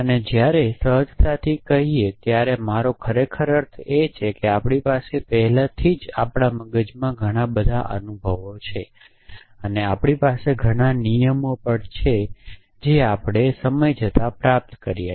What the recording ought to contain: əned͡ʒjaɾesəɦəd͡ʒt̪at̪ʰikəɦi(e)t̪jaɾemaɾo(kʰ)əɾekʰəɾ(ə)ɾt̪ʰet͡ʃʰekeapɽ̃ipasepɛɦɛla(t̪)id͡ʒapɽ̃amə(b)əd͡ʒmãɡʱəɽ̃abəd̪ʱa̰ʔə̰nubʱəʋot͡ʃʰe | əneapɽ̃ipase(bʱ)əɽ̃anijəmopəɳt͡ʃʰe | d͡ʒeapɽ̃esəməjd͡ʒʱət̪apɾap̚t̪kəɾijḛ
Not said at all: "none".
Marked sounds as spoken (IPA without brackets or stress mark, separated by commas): e, kʰ, ə, t̪ʰ, ɡ, ɡʱ